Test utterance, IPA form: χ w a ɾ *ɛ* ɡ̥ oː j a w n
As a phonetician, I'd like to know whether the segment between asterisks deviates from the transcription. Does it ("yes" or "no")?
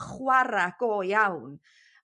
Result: yes